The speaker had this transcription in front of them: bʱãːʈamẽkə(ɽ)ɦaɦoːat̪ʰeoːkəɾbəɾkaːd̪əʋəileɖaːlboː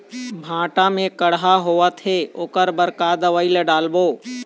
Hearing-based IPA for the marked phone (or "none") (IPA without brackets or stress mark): ɽ